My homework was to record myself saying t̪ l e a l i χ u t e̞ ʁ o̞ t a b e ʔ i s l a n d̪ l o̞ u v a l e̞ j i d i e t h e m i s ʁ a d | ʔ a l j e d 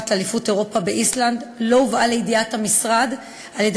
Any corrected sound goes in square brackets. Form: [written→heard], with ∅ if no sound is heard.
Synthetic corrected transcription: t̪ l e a l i [χ→f] u t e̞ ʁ o̞ [t→p] a b e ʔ i s l a n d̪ l o̞ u v a l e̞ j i d i [e→a] t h [e→a] m i s ʁ a d | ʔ a l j e d